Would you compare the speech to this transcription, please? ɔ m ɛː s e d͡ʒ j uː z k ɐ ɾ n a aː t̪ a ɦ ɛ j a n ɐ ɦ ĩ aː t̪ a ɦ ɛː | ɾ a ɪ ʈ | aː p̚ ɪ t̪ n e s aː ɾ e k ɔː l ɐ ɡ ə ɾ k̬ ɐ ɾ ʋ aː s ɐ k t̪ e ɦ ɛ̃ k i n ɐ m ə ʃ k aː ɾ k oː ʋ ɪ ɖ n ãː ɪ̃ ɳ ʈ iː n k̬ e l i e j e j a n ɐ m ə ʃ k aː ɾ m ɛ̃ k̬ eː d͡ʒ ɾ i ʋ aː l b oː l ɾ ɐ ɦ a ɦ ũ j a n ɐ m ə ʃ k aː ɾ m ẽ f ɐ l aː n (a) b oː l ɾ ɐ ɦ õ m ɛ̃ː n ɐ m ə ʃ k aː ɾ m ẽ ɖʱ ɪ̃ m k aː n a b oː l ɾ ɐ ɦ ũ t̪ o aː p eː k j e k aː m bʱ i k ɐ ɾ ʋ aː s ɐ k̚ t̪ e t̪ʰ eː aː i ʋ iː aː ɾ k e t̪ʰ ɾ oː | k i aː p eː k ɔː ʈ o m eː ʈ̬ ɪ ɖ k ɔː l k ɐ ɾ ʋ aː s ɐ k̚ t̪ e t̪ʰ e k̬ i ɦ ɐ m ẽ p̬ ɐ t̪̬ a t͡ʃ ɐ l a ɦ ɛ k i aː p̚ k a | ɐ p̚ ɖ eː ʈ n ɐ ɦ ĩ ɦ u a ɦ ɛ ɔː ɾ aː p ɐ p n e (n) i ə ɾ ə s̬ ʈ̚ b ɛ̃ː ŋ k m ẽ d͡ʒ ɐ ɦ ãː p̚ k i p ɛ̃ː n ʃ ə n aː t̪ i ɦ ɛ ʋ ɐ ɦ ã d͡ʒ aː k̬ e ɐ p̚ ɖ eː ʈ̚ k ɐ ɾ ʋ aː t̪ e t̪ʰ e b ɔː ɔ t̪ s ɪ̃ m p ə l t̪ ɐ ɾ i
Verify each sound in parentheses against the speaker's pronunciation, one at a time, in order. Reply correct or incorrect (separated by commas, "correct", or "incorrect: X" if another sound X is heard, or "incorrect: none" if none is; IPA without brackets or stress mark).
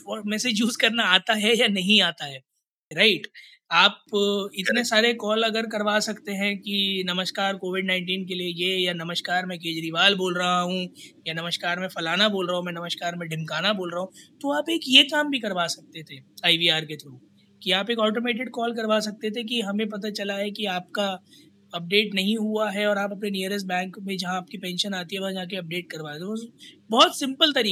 correct, correct